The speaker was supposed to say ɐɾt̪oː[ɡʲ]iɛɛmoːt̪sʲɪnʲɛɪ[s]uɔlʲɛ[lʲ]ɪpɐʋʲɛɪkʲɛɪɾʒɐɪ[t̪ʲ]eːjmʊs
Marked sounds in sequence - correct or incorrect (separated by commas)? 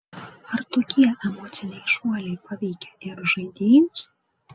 incorrect, incorrect, incorrect, incorrect